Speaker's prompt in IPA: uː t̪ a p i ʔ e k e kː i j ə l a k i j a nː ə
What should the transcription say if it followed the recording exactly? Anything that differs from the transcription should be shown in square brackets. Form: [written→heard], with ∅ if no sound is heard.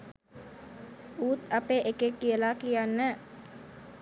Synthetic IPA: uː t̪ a p [i→e] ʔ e k e kː i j ə l a k i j a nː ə